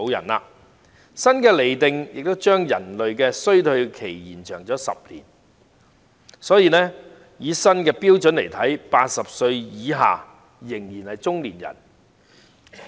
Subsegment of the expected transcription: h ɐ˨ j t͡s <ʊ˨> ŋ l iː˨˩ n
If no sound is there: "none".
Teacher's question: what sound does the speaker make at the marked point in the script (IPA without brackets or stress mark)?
ʊ˥